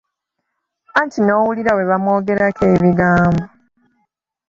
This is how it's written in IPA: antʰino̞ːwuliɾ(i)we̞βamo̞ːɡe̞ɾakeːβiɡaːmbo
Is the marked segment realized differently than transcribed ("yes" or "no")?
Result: yes